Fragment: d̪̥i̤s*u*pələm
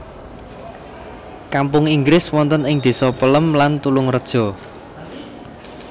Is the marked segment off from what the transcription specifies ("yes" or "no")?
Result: yes